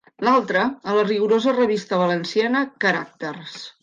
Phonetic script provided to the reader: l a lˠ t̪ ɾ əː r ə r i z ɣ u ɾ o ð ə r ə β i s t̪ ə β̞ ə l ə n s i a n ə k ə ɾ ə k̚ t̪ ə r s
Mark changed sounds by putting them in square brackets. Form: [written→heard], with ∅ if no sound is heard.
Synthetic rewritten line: l a lˠ t̪ ɾ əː [r→l] ə r i [z→∅] ɣ u ɾ o [ð→z] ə r ə β i s t̪ ə β̞ ə l ə n s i a n ə k ə ɾ [ə→a] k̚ t̪ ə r s